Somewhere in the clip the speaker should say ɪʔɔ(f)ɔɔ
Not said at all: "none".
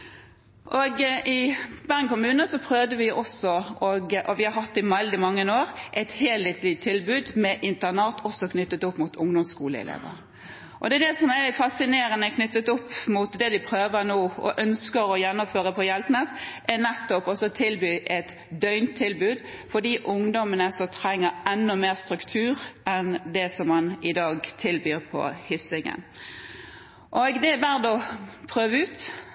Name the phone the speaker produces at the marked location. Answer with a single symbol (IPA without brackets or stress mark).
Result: s